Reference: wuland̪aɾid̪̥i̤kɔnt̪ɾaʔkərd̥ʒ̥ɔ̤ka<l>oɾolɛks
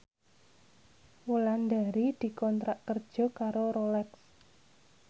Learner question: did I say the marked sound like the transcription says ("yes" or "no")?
no